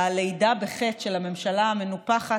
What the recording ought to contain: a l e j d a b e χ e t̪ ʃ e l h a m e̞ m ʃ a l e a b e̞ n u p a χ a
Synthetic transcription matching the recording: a l e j d a b e χ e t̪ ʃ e l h a m e̞ m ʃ a l a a m e̞ n u p a χ a